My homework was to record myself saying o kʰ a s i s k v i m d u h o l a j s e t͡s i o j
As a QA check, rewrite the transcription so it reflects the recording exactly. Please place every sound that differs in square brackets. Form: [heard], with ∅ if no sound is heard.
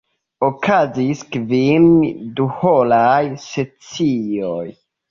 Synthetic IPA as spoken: o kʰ a [z] i s k v i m d u h o l a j s e t͡s i o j